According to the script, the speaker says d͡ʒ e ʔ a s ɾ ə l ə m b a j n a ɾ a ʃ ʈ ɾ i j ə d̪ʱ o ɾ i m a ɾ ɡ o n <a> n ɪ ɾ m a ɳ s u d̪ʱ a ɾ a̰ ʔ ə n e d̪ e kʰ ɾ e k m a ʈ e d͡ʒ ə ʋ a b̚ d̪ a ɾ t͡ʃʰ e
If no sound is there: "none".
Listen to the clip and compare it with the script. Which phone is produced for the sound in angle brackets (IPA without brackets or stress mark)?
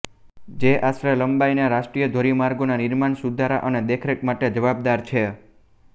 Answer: a